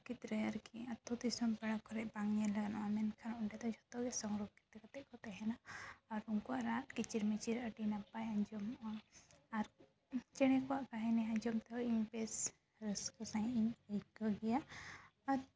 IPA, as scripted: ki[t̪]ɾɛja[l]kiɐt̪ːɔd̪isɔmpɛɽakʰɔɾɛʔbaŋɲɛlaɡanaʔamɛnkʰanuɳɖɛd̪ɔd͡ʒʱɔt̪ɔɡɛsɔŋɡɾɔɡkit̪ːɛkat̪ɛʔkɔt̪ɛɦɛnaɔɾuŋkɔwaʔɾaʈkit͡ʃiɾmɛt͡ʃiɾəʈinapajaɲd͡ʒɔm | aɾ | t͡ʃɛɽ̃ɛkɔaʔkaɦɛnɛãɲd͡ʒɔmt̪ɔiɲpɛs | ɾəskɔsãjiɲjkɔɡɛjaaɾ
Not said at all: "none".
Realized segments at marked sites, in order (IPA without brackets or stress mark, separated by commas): t̪, ɾ